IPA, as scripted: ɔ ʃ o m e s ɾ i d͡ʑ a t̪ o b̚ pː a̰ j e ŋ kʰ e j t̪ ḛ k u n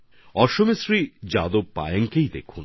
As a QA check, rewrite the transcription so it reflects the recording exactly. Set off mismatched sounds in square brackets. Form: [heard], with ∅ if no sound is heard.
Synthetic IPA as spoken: ɔ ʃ o m e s ɾ i d͡ʑ a [d̪] o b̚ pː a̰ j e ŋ [k] e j [d̪] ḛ [kʰ] u n